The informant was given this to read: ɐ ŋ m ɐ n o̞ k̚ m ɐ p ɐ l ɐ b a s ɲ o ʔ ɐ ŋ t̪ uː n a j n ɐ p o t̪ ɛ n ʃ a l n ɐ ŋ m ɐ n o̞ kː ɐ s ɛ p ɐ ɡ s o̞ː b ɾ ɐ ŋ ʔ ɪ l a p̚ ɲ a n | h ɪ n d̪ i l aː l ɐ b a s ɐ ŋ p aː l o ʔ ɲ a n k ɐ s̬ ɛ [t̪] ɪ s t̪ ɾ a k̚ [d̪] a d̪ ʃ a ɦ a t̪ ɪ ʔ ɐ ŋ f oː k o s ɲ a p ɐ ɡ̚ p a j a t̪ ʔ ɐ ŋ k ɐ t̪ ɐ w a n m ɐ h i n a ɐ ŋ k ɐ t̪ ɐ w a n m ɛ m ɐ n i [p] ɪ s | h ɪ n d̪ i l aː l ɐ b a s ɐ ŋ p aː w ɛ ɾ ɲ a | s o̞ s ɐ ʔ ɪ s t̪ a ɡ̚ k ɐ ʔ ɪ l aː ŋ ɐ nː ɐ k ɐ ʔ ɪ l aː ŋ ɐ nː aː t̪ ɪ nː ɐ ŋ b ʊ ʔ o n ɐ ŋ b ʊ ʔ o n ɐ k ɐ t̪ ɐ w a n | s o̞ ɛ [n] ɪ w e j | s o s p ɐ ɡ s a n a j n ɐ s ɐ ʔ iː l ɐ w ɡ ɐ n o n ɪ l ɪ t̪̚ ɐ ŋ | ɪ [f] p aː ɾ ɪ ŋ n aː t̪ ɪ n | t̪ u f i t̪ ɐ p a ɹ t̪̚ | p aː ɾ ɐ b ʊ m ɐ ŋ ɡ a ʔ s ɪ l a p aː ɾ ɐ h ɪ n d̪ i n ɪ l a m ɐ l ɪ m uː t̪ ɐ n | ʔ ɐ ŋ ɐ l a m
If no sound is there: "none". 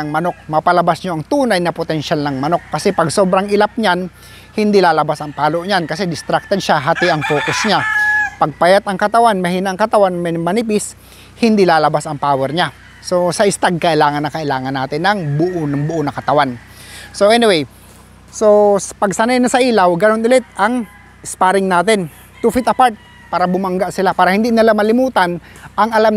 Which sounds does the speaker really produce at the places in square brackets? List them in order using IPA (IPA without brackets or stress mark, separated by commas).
d̪, t̪, p, n, s